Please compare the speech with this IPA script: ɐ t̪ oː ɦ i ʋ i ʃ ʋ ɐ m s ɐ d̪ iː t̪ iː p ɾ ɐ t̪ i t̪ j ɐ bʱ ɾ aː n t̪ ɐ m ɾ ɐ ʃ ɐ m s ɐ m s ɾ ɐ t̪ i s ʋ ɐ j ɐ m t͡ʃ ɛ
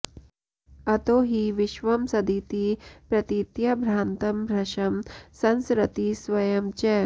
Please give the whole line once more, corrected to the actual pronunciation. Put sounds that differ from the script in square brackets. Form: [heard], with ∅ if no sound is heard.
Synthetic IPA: ɐ t̪ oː ɦ i ʋ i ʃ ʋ ɐ m s ɐ d̪ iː t̪ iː p ɾ ɐ t̪ i t̪ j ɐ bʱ ɾ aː n t̪ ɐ m ɾ ɐ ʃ ɐ m s ɐ [n] s ɾ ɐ t̪ i s ʋ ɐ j ɐ m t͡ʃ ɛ

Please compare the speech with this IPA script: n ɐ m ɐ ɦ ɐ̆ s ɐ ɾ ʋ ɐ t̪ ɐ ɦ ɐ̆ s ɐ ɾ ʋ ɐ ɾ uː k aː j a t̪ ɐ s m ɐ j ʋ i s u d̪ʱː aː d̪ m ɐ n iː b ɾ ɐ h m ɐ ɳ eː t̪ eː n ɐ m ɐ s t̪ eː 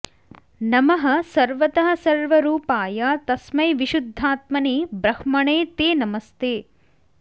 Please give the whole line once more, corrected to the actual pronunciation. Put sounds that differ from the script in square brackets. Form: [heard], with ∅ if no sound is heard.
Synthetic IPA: n ɐ m ɐ ɦ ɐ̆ s ɐ ɾ ʋ ɐ t̪ ɐ ɦ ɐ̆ s ɐ ɾ ʋ ɐ ɾ uː [p] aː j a t̪ ɐ s m ɐ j ʋ i [ʃ] u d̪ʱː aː [t̪] m ɐ n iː b ɾ ɐ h m ɐ ɳ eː t̪ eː n ɐ m ɐ s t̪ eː

